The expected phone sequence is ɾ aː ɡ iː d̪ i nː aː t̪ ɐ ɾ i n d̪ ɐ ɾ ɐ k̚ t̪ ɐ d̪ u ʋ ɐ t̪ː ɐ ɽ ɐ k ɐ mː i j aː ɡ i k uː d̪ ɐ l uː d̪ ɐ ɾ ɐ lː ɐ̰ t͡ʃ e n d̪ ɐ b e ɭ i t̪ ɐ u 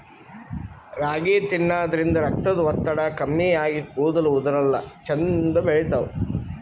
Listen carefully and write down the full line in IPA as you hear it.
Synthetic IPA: ɾ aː ɡ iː t̪ i nː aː d̪ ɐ ɾ i n d̪ ɐ ɾ ɐ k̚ t̪ ɐ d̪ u ʋ ɐ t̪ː ɐ ɽ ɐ k ɐ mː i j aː ɡ i k uː d̪ ɐ l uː d̪ ɐ ɾ ɐ lː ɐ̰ t͡ʃ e n d̪ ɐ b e ɭ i t̪ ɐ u